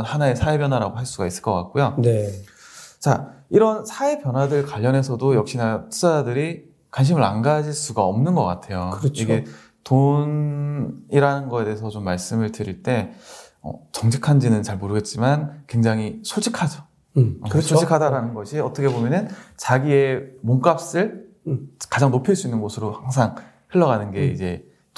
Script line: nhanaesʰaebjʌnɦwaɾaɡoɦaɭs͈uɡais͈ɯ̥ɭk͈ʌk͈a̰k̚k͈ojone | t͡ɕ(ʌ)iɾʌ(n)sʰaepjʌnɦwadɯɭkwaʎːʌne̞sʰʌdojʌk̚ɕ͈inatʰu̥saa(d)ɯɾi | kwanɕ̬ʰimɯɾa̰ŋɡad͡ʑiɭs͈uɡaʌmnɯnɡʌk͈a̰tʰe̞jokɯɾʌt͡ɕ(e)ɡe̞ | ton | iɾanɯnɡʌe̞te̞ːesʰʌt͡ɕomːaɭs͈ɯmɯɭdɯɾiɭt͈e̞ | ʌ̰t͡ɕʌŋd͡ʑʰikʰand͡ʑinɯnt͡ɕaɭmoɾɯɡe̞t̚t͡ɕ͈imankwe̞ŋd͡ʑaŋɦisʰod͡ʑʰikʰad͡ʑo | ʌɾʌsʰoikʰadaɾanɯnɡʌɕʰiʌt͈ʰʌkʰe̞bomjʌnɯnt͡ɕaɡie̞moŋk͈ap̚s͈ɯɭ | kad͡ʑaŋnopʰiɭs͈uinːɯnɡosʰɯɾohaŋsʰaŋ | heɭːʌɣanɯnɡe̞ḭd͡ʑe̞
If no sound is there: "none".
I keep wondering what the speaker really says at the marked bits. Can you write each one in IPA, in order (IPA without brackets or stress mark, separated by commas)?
a, n, d, i